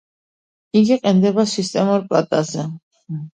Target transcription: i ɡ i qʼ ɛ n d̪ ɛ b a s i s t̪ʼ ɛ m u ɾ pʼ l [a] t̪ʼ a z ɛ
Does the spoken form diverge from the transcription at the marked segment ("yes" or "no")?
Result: no